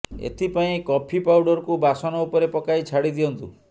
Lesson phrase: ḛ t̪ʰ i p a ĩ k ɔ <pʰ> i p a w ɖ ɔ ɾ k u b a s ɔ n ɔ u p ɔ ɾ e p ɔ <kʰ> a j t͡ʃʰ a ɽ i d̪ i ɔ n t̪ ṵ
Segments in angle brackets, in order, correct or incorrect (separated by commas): correct, incorrect